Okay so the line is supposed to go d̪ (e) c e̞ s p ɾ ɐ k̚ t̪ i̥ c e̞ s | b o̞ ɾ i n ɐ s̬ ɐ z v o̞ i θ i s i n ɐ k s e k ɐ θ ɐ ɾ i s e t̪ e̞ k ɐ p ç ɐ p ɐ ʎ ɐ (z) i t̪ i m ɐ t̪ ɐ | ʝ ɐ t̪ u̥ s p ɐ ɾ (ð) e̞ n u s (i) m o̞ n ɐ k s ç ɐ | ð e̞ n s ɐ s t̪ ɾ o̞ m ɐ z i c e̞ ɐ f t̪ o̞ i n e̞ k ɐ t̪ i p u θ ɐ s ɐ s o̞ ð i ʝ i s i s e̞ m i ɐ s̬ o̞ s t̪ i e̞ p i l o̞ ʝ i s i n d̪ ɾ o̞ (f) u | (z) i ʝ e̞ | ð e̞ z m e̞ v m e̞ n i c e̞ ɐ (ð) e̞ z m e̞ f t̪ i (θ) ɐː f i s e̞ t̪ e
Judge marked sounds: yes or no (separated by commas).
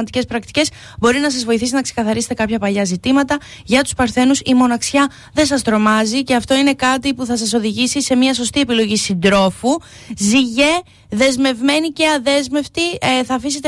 no, yes, no, yes, yes, yes, yes, yes